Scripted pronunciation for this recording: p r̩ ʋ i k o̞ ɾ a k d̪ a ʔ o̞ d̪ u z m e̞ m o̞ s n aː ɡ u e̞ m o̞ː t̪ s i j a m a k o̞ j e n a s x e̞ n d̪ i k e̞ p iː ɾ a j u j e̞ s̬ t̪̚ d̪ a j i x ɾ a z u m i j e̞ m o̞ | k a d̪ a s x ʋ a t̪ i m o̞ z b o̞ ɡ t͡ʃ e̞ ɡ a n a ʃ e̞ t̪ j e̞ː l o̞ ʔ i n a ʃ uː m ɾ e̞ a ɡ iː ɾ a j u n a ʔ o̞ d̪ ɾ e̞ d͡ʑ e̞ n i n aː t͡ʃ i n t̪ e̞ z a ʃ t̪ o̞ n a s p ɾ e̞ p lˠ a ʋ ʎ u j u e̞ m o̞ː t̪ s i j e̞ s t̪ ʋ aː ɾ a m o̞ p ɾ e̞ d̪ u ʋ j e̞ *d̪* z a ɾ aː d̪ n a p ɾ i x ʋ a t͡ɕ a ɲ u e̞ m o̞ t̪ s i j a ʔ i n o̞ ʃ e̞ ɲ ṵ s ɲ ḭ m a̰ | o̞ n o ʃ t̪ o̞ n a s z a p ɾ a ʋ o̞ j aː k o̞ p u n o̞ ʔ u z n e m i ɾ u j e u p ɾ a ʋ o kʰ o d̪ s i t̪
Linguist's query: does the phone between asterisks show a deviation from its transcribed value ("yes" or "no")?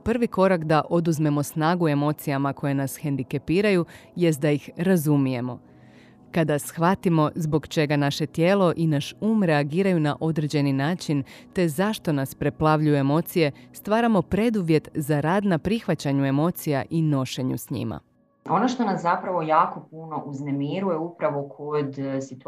yes